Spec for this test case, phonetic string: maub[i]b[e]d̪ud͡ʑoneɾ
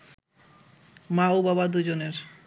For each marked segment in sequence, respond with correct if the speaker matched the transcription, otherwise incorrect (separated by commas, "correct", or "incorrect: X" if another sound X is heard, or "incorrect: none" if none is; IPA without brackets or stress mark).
incorrect: a, incorrect: a